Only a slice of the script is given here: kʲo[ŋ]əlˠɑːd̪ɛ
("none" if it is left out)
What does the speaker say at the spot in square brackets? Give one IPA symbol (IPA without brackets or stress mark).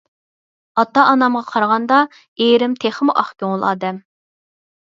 ŋ